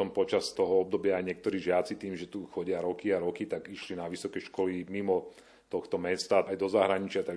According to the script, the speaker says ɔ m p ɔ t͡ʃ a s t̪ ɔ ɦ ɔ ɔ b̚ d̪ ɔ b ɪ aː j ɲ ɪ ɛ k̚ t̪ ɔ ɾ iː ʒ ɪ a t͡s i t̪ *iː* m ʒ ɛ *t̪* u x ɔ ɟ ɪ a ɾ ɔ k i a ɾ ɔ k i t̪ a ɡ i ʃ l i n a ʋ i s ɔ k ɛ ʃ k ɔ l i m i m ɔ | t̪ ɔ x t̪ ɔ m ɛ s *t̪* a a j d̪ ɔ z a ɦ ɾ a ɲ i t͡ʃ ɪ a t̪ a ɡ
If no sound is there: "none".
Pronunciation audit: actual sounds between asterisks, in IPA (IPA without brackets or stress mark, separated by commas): iː, t̪, t̪